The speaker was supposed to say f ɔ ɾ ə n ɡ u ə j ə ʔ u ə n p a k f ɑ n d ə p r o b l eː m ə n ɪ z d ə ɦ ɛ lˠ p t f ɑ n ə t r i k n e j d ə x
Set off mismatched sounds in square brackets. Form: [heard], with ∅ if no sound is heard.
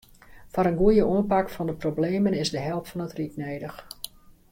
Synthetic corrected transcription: f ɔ ɾ ə n ɡ u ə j ə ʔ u ə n p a k f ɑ n d ə p r o b l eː m ə n ɪ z d ə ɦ ɛ lˠ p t f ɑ n ə t r i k n e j d ə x